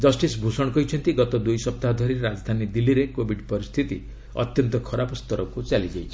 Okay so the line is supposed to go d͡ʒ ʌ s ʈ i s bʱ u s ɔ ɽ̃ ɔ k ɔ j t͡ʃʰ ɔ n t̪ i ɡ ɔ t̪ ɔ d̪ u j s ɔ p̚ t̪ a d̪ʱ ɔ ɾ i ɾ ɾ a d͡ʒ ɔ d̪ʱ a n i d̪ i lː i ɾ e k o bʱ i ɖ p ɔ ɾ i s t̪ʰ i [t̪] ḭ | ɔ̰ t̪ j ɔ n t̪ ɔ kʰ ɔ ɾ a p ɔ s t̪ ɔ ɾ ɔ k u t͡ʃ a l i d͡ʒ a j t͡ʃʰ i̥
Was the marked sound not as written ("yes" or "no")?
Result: no